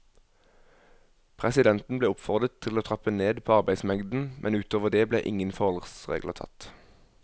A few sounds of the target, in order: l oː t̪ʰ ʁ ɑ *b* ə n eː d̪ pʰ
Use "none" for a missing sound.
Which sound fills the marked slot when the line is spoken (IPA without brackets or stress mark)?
p